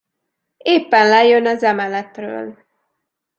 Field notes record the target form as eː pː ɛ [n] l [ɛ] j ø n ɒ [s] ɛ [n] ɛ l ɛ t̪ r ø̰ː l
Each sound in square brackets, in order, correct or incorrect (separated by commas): correct, correct, incorrect, incorrect